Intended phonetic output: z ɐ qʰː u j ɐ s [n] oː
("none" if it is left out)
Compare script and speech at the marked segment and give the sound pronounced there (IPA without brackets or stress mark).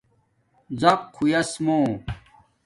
m